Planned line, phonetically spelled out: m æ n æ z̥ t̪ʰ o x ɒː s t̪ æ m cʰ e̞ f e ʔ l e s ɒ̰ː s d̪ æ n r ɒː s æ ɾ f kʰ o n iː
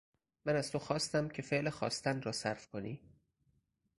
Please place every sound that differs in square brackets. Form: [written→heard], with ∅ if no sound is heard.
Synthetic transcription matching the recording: m æ n æ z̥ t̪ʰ o x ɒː s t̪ æ m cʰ e̞ f e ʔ l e [s→x] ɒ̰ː s [d̪→t̪] æ n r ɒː s æ ɾ f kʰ o n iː